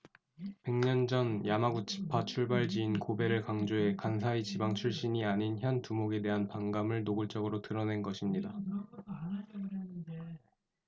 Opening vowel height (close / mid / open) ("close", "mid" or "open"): mid